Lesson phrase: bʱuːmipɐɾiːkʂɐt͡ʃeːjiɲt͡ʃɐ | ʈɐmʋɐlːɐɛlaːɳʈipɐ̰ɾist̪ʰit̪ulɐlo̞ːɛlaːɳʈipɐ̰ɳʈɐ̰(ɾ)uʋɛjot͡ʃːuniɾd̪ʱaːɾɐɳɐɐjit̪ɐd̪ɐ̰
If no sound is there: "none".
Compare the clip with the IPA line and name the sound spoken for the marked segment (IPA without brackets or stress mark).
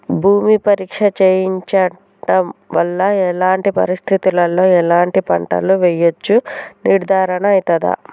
l